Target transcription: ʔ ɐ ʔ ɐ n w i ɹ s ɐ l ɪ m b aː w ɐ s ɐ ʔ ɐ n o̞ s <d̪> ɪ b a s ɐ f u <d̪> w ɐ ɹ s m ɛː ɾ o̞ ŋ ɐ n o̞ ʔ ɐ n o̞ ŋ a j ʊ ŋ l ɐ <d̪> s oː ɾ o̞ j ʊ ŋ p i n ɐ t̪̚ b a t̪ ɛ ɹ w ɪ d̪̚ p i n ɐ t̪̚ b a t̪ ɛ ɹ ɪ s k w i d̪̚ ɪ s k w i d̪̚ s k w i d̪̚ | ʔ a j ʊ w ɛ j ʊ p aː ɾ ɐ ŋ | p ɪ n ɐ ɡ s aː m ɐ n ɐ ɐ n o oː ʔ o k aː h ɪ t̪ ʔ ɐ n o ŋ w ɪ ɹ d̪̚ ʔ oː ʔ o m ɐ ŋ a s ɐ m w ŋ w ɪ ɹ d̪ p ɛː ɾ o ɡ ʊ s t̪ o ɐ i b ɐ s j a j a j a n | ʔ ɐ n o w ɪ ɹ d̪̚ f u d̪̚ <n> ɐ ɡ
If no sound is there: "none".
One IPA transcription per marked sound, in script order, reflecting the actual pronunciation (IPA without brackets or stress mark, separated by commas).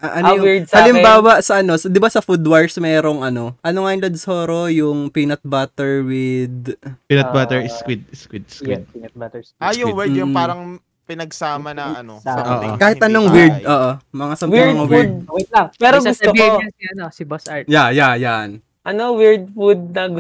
d̪, d̪, d̪, n